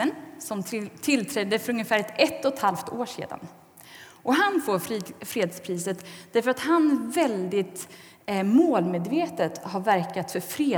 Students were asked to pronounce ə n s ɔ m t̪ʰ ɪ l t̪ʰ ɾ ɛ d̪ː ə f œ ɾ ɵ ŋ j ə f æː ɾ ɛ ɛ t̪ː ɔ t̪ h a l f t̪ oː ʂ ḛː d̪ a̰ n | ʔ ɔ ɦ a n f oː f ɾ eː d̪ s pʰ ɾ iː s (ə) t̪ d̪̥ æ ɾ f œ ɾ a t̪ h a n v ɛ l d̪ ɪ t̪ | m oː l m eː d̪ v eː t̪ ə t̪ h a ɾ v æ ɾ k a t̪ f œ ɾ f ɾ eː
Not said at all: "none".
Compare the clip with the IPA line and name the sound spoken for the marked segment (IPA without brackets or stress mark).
ə